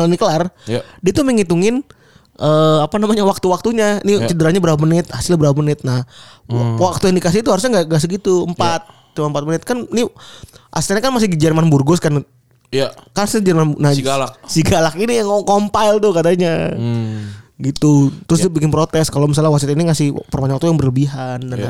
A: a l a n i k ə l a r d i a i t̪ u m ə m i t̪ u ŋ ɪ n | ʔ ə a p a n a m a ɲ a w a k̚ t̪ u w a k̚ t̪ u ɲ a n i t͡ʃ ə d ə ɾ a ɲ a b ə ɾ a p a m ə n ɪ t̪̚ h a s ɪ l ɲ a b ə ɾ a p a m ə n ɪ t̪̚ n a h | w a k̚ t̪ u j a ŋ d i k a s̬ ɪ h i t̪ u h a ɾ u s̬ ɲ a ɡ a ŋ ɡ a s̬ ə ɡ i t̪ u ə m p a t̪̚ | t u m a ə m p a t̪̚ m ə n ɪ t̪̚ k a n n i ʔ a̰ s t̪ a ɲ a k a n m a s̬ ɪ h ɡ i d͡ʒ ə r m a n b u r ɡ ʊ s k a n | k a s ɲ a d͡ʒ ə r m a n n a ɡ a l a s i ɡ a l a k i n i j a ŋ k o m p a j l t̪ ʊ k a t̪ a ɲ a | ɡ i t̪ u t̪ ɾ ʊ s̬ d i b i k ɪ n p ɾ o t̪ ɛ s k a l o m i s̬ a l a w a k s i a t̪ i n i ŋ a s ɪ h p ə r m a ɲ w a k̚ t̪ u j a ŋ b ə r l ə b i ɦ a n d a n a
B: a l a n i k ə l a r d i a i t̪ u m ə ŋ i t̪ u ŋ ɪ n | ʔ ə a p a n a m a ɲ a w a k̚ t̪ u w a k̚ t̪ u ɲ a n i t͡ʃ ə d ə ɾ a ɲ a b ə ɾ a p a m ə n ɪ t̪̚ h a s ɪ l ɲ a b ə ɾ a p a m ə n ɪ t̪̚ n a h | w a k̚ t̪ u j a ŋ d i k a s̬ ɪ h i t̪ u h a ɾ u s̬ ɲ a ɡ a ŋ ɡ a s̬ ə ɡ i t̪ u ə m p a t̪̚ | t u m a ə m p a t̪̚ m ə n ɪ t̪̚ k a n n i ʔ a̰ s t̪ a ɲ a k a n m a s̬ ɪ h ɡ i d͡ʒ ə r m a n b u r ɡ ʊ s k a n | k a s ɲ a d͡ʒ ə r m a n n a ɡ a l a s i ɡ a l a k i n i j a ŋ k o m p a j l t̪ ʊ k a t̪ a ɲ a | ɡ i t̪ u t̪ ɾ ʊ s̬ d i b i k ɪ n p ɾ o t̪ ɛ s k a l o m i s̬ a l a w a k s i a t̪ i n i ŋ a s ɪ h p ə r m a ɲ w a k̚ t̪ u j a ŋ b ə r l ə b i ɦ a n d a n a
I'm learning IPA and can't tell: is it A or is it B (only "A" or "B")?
B